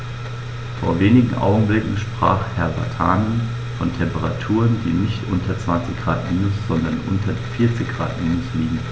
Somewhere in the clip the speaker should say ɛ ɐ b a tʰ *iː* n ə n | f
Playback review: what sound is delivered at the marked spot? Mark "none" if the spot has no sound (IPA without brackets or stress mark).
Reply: aː